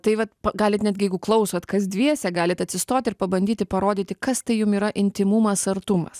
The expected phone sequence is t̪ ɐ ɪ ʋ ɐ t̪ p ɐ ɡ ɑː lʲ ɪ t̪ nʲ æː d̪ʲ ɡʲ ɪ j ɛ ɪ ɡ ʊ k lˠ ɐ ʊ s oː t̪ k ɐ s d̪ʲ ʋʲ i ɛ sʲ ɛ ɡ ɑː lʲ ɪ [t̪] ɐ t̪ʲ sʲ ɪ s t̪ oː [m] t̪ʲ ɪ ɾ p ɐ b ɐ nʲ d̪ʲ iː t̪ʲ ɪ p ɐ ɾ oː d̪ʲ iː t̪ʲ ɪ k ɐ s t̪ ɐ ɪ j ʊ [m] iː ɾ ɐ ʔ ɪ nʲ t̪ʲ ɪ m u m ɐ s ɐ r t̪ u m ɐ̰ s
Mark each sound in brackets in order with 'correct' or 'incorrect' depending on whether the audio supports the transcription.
correct, incorrect: none, correct

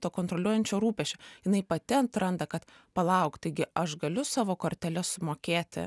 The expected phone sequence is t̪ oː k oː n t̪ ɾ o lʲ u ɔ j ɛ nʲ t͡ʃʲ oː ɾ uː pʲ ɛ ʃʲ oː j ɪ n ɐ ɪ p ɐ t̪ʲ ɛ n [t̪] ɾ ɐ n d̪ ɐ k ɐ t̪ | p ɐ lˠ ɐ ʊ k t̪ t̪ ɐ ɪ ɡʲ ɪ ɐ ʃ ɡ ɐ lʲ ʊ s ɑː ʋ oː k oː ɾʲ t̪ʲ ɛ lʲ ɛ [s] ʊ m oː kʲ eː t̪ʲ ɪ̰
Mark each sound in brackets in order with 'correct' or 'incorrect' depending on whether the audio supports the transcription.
correct, correct

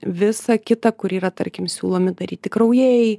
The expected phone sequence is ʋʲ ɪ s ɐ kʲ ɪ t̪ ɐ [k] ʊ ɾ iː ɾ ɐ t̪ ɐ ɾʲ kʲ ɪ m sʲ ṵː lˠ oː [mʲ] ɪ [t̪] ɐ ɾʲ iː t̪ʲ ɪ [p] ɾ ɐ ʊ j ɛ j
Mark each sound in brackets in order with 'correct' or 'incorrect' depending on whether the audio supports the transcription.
correct, correct, incorrect: d̪, incorrect: k

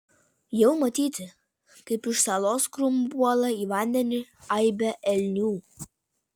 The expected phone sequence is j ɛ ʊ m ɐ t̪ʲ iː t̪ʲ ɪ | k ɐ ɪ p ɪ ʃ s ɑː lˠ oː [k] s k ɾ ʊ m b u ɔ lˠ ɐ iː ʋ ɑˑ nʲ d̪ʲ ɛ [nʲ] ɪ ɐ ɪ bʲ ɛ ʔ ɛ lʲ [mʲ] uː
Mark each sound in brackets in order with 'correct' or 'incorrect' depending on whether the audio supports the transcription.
incorrect: none, correct, incorrect: nʲ

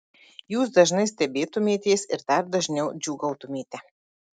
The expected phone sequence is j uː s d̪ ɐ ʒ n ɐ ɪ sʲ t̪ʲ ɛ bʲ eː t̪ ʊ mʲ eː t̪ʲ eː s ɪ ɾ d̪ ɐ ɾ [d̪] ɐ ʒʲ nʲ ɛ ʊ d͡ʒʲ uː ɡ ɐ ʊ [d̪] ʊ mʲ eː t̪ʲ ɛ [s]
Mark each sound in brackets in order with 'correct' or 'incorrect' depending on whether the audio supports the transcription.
correct, incorrect: t̪, incorrect: none

